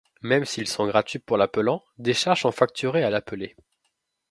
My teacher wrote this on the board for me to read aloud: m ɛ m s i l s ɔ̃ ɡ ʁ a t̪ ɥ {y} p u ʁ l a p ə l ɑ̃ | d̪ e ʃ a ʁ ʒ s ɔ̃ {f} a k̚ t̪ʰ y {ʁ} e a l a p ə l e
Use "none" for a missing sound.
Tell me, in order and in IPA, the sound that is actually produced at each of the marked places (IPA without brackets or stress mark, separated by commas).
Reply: i, f, ʁ